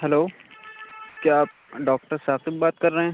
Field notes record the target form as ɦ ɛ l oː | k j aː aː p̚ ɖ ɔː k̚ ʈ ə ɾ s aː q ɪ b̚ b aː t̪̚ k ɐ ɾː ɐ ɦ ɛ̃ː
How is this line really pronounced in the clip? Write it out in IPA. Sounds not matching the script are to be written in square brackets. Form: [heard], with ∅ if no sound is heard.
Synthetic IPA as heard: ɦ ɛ l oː | k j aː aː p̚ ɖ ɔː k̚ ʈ ə ɾ s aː q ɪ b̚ b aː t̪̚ k ɐ ɾː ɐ ɦ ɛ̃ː